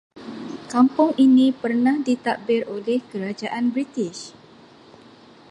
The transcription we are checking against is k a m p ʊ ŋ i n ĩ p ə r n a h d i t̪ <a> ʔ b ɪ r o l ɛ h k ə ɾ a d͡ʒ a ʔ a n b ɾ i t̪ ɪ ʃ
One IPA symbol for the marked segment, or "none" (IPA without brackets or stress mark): a